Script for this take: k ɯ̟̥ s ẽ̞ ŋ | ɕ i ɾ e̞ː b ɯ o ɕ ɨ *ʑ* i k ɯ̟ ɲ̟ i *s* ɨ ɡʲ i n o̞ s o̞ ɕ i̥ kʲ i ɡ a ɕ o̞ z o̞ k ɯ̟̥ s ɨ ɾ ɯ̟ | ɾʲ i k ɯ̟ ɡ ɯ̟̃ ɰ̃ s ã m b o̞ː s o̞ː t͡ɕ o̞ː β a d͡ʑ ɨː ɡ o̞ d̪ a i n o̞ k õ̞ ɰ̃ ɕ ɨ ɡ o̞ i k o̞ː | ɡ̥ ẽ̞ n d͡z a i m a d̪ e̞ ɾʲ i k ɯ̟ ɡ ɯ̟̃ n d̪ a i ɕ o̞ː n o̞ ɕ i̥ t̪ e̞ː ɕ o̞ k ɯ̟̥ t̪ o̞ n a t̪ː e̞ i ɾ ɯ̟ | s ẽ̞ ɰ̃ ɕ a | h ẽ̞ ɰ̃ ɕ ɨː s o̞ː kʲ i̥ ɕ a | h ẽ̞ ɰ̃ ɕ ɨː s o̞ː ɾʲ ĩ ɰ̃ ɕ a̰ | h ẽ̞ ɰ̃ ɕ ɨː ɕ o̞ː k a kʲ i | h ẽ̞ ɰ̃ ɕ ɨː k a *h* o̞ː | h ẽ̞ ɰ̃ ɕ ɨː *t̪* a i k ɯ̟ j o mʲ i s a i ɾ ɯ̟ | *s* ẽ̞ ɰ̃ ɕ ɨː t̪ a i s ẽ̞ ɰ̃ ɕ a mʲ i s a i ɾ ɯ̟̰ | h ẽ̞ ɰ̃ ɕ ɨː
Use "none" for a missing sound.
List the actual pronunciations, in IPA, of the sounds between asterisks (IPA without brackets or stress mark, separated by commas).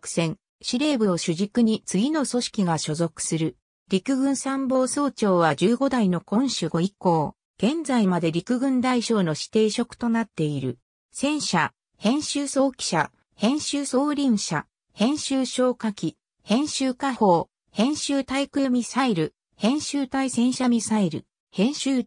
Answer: ʑ, t͡s, h, t̪, h